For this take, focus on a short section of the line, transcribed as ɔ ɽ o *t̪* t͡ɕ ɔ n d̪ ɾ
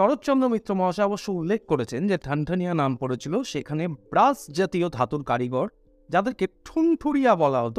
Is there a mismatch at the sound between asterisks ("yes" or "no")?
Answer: no